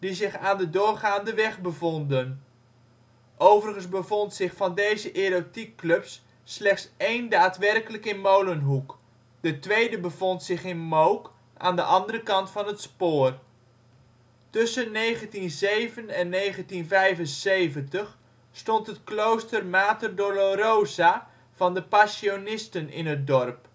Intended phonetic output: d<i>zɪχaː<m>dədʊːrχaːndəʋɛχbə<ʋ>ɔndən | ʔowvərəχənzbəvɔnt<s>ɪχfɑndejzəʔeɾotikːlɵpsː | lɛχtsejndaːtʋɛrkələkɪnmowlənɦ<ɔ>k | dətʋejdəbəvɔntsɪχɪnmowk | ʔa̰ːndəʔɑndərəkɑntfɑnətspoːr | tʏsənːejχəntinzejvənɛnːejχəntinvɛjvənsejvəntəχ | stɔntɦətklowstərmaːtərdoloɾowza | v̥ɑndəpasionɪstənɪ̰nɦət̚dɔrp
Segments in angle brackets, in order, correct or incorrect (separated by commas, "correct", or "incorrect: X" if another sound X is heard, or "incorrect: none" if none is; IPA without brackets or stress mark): correct, incorrect: n, incorrect: v, correct, incorrect: u